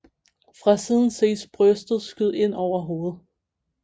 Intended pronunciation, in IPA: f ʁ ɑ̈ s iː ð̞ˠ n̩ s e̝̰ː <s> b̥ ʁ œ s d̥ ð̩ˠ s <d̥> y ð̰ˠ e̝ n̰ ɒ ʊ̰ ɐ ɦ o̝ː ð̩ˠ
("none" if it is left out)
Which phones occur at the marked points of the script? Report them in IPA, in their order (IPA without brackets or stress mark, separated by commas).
s, ɡ̥